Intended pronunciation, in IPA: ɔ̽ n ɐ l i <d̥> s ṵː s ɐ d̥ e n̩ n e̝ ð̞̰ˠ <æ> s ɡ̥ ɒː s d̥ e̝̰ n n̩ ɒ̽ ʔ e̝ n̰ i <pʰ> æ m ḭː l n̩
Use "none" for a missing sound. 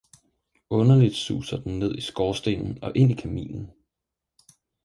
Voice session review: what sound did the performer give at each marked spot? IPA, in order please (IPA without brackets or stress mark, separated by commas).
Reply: d̥, i, kʰ